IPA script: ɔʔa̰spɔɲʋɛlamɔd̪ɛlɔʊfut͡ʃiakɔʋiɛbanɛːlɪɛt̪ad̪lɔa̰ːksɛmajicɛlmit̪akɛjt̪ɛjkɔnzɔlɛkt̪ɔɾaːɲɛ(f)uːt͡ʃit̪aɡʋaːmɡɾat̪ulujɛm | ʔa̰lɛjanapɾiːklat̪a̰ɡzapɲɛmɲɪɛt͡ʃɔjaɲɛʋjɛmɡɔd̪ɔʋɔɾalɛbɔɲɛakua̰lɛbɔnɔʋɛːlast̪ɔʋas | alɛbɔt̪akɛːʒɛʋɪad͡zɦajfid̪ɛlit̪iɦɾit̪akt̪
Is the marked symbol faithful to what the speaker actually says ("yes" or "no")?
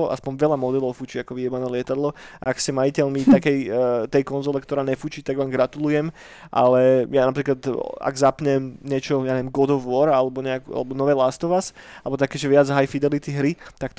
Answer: yes